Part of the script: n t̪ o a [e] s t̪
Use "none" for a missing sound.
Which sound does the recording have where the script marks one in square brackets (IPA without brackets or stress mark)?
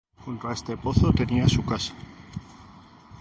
e